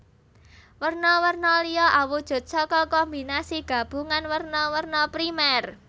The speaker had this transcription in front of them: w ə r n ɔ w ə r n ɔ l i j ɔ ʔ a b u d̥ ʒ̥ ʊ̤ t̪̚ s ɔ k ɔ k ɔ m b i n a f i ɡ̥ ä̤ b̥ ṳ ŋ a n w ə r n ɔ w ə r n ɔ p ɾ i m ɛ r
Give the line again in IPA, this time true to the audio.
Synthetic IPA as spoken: w ə r n ɔ w ə r n ɔ l i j ɔ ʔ a w u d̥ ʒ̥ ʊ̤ t̪̚ s ɔ k ɔ k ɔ m b i n a s i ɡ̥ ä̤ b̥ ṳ ŋ a n w ə r n ɔ w ə r n ɔ p ɾ i m ɛ r